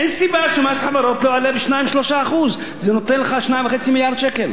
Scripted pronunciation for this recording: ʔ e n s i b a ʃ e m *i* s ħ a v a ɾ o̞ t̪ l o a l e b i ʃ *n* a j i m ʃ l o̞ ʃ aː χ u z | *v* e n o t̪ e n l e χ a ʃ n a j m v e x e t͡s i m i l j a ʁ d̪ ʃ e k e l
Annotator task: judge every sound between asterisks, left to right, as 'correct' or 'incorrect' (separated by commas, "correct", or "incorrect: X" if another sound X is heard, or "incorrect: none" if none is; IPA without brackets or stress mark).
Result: incorrect: a, correct, incorrect: z